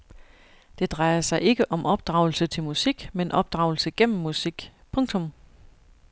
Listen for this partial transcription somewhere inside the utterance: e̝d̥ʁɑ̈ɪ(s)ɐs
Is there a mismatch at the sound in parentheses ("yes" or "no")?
yes